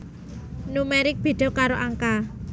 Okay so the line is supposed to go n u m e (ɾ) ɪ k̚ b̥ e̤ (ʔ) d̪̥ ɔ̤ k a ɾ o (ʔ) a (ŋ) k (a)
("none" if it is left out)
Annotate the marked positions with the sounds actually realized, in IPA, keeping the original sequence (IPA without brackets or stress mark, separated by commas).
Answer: ɾ, none, ʔ, ŋ, a